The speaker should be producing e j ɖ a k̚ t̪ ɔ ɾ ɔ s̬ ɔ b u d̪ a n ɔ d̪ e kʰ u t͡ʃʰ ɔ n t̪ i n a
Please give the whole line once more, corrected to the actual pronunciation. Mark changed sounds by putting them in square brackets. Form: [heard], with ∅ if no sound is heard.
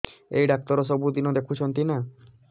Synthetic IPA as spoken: e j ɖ a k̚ t̪ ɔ ɾ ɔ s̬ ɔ b u d̪ [i] n ɔ d̪ e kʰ u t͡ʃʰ ɔ n t̪ i n a